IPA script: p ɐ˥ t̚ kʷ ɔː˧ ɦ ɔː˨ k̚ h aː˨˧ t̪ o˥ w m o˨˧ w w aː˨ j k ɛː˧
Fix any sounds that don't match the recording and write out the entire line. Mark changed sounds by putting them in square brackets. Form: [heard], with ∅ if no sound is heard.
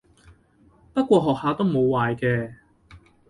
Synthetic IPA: p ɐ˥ t̚ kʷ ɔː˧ ɦ ɔː˨ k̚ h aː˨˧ t̪ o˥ w m o˨˧ w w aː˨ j k ɛː˧